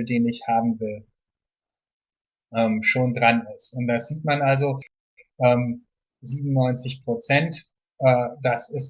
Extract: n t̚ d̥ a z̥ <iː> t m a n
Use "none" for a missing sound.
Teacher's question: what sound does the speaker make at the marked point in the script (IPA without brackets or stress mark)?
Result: iː